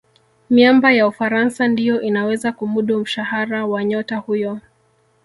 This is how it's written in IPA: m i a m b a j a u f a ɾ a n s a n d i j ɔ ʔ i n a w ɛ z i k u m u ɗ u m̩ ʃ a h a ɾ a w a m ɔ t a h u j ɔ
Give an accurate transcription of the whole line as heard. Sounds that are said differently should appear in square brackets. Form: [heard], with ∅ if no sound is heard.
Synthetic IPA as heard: m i a m b a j a u f a ɾ a n s a n d i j ɔ ʔ i n a w ɛ z [a] k u m u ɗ u m̩ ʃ a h a ɾ a w a [ɲ] ɔ t a h u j ɔ